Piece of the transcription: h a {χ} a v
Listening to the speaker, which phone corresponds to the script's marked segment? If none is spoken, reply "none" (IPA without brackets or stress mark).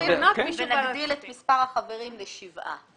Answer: χ